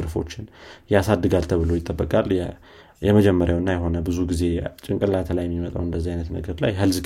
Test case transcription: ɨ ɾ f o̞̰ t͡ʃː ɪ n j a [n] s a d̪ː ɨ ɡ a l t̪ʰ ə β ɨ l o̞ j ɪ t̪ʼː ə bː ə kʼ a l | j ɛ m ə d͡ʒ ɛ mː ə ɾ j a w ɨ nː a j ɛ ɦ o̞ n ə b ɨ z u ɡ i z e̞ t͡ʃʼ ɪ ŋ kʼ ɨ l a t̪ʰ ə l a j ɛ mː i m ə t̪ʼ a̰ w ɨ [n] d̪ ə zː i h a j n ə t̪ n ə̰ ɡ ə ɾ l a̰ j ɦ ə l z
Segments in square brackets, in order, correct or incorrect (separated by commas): incorrect, correct